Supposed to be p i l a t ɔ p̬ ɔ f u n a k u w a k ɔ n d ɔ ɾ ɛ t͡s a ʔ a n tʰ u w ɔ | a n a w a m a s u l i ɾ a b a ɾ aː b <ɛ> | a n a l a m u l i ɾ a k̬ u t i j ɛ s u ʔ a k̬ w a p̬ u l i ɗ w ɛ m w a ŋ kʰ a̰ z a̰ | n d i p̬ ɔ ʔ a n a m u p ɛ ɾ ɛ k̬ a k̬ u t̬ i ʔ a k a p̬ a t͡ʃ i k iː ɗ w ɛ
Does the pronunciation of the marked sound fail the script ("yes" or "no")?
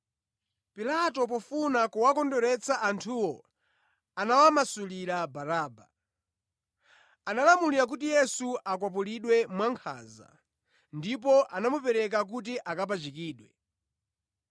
yes